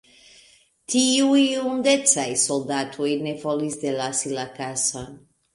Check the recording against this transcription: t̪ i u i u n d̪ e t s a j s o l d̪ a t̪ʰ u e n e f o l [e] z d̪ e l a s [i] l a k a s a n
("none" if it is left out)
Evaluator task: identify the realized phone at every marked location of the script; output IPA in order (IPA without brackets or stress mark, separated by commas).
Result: i, i